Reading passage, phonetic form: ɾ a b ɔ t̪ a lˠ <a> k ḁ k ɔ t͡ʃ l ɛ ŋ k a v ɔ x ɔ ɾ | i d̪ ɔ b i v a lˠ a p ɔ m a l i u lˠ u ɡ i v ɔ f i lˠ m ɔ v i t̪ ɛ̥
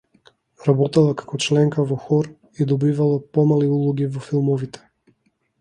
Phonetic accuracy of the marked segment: correct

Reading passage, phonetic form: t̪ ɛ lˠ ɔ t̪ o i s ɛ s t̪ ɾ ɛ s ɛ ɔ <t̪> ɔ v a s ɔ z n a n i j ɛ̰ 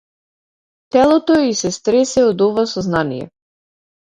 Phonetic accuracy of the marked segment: incorrect: d̪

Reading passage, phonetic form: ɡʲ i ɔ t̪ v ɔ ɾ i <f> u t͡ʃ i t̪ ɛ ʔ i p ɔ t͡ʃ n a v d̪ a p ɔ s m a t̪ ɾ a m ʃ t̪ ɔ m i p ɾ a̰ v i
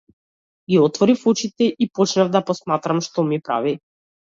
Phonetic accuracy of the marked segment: correct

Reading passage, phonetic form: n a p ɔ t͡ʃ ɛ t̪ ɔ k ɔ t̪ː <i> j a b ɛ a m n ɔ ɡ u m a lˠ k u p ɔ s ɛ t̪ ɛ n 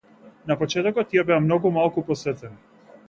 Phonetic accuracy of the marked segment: correct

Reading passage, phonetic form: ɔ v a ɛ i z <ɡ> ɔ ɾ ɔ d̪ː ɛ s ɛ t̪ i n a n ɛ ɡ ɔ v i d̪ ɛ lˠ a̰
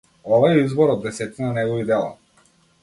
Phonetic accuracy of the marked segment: incorrect: b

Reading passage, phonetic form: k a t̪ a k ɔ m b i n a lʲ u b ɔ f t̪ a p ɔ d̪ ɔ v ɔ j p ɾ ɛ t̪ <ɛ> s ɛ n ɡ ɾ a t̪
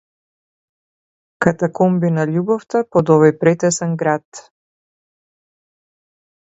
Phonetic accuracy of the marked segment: correct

